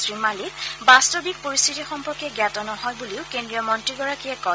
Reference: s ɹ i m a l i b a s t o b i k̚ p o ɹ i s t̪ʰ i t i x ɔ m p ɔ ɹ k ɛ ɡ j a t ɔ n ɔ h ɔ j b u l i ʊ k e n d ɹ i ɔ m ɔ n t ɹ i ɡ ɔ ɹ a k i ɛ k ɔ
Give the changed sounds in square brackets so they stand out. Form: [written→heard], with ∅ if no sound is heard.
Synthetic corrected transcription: s ɹ i m a l i b a s t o b i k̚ p o ɹ i s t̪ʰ i t i x ɔ m p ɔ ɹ k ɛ ɡ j a t ɔ n ɔ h ɔ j b u l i ʊ k e n d ɹ i ɔ m ɔ n t ɹ i ɡ ɔ ɹ a k i ɛ k ɔ